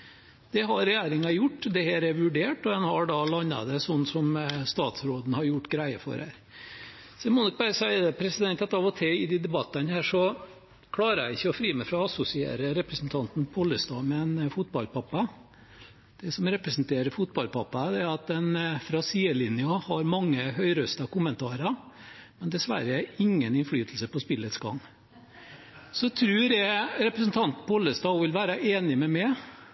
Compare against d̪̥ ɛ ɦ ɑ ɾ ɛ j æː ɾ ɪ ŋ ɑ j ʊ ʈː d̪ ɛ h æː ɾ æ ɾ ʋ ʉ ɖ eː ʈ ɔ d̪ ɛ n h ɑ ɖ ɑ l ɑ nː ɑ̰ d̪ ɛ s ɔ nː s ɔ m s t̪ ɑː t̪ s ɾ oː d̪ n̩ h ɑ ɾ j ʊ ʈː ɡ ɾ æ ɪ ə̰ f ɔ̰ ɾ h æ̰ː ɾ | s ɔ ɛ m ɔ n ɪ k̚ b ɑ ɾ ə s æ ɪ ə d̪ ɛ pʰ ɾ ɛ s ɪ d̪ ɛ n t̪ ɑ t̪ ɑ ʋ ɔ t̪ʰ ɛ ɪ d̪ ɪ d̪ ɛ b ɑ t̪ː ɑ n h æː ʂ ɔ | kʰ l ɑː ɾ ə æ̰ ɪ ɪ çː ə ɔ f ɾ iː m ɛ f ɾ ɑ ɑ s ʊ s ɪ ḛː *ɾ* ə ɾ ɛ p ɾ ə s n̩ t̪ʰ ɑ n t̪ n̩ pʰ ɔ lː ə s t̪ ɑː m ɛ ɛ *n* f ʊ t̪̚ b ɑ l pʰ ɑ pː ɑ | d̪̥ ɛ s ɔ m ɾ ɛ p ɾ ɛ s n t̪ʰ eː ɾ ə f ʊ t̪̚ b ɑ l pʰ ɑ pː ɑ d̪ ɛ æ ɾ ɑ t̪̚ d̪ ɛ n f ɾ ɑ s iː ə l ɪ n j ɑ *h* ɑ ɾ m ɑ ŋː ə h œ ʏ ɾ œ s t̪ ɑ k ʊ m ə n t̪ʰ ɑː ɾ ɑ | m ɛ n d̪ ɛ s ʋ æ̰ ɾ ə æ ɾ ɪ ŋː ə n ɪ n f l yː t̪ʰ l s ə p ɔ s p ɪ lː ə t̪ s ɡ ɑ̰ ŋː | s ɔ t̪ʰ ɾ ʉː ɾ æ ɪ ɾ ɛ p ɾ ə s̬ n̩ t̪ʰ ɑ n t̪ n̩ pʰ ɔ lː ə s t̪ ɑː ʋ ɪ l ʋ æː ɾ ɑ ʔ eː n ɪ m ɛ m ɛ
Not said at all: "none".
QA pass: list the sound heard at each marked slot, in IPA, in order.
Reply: ɾ, n, h

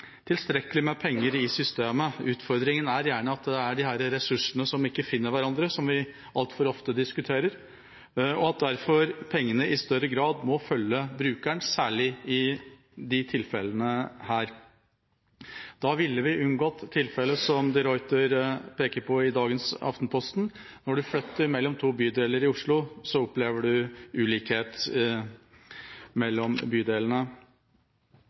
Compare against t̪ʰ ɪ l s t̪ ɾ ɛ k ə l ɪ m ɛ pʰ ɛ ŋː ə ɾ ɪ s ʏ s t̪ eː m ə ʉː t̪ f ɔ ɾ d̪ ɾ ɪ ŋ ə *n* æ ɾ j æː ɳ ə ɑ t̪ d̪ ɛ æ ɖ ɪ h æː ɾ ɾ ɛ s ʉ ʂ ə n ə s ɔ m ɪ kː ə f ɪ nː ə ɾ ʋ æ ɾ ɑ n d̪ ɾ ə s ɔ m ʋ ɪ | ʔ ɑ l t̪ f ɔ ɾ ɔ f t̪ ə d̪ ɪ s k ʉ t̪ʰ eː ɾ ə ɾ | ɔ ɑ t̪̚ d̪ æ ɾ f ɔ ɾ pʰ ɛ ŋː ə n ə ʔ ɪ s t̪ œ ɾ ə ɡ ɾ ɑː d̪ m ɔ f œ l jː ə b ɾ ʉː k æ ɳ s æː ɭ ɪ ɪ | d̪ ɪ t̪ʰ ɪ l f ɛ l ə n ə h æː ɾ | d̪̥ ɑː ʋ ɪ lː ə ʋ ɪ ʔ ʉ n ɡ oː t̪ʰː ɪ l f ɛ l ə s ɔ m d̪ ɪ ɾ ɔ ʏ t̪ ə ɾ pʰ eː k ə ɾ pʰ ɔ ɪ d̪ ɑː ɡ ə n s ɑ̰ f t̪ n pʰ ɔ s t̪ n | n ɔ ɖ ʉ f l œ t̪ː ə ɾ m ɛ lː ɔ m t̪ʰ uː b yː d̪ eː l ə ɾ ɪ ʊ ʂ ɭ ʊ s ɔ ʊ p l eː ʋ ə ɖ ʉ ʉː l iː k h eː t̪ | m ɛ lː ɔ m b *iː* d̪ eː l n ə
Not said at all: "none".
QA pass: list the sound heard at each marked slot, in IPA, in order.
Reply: n, yː

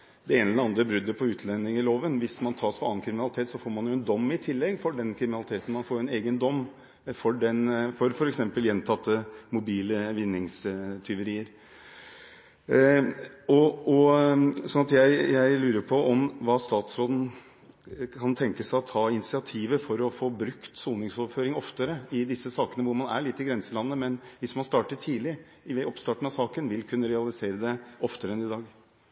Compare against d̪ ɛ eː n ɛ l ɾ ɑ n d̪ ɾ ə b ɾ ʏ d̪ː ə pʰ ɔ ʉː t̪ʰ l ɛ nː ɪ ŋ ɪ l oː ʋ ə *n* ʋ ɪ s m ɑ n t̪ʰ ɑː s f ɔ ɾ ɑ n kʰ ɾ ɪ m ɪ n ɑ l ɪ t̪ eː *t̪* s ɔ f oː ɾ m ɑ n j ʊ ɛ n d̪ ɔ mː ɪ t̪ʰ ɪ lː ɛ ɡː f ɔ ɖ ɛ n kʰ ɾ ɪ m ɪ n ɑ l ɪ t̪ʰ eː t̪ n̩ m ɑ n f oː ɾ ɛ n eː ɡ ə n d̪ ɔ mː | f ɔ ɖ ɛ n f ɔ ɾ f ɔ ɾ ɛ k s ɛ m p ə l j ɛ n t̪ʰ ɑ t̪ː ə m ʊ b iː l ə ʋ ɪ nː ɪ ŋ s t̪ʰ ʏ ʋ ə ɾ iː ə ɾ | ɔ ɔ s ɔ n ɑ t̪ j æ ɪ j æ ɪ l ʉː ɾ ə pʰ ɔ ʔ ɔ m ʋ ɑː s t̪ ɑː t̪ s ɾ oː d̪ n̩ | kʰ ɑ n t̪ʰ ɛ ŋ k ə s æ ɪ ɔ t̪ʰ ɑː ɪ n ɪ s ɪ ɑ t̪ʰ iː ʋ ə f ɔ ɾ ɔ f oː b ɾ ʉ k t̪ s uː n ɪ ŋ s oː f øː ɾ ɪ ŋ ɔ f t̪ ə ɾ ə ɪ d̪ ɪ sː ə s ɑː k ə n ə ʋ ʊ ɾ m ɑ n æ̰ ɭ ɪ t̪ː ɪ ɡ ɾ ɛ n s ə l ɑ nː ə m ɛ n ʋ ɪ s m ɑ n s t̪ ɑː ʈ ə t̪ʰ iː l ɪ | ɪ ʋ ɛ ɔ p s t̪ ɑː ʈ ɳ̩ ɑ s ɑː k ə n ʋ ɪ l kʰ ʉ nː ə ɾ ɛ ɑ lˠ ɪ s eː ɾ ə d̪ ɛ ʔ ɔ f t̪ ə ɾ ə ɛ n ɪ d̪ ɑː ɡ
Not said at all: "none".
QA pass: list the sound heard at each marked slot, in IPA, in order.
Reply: n, t̪

